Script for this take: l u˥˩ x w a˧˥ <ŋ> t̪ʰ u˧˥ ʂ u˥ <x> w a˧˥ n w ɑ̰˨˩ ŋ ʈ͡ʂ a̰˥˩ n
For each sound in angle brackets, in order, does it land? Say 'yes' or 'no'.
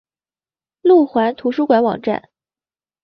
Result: no, no

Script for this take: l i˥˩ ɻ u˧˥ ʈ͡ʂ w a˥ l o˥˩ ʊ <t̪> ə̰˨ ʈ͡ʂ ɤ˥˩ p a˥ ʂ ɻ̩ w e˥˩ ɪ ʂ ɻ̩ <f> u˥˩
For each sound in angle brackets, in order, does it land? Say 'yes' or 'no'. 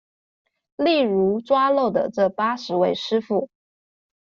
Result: no, yes

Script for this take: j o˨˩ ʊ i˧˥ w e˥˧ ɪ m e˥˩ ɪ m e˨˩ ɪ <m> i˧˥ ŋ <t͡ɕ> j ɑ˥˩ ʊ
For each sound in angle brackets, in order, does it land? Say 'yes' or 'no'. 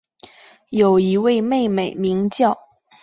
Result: yes, yes

